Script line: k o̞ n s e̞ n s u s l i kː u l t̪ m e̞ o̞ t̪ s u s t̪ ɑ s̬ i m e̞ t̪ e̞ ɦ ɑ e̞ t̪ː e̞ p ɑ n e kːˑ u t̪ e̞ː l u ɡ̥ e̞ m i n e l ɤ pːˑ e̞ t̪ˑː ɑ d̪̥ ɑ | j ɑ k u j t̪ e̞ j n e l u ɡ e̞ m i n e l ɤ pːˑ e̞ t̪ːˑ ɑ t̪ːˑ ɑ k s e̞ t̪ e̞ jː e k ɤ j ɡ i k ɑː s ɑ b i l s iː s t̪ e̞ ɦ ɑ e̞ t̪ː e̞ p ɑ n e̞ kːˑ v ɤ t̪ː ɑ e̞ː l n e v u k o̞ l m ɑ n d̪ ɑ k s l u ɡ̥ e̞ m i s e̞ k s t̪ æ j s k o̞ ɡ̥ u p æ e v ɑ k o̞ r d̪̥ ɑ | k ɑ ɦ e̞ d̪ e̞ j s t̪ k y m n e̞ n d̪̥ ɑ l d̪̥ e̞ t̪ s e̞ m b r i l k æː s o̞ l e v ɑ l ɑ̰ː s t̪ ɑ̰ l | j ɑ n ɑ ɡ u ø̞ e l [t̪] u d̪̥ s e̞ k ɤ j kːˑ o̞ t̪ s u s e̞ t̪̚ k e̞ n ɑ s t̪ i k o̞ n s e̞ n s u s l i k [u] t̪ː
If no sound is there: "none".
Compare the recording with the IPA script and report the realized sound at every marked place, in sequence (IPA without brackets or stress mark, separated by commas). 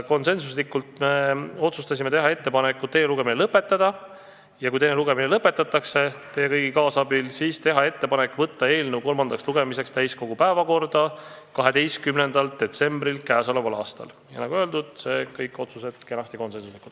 d̪, u